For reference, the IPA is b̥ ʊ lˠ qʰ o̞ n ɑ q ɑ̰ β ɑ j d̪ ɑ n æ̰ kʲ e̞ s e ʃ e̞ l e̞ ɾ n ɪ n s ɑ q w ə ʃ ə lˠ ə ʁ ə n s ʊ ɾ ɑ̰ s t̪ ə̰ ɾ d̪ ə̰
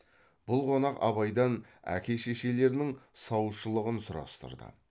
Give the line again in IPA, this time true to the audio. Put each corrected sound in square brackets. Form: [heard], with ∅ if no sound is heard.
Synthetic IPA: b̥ ʊ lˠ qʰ o̞ n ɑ q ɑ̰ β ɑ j d̪ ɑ n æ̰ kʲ e̞ [ʃ] e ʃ e̞ l e̞ ɾ n ɪ [ŋ] s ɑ [∅] w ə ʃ ə lˠ ə ʁ ə n s ʊ ɾ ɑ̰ s t̪ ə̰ ɾ d̪ ə̰